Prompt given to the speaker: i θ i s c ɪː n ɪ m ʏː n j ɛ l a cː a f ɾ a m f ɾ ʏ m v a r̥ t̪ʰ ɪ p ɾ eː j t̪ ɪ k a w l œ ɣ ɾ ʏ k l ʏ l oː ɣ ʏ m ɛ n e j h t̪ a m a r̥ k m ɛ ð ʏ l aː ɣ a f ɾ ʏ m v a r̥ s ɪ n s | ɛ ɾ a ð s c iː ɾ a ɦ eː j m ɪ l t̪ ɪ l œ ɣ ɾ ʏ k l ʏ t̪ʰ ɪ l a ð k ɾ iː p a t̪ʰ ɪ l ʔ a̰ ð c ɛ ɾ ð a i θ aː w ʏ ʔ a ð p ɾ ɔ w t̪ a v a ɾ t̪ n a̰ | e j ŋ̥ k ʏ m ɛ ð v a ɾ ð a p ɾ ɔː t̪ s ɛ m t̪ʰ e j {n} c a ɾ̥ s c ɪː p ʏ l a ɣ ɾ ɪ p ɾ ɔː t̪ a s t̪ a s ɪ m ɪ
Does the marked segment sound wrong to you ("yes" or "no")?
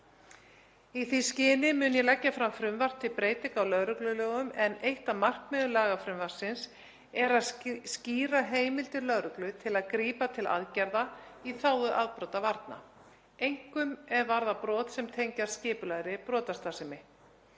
yes